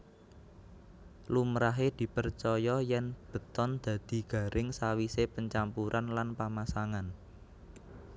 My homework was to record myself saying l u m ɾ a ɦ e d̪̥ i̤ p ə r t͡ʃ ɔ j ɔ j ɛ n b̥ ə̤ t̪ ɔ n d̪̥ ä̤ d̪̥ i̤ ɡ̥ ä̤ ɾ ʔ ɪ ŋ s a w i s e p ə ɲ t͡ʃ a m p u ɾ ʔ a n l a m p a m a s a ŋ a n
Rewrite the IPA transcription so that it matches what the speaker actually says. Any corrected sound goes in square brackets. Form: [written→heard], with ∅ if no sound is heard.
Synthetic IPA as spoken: l u m ɾ a ɦ e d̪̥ i̤ p ə r t͡ʃ ɔ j ɔ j ɛ n b̥ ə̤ t̪ ɔ n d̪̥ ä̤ d̪̥ i̤ ɡ̥ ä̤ ɾ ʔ ɪ ŋ s a w i s e p ə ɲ t͡ʃ a m p u ɾ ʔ a n l a [m→n] p a m a s a ŋ a n